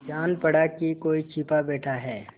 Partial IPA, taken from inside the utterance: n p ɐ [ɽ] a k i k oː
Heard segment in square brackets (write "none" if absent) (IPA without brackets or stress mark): ɽ